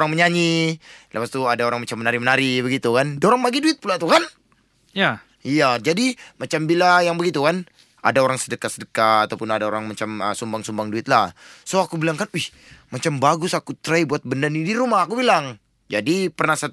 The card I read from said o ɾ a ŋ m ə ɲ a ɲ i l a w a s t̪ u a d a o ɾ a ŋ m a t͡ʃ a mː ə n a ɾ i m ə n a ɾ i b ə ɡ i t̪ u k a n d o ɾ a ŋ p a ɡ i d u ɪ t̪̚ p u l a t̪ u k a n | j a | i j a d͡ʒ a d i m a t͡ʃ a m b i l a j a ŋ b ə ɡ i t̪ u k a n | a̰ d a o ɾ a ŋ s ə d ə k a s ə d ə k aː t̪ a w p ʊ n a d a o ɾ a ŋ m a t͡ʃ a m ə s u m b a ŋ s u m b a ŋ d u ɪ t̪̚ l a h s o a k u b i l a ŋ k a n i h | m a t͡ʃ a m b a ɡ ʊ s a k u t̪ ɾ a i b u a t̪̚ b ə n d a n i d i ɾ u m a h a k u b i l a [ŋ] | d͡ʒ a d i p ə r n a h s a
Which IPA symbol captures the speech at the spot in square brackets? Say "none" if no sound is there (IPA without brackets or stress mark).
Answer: ŋ